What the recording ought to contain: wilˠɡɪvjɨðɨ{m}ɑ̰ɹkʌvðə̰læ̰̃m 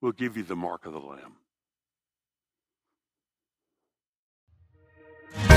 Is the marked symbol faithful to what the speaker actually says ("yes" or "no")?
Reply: yes